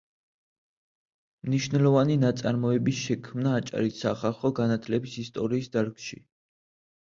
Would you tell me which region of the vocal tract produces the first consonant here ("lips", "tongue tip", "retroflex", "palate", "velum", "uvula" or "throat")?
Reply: lips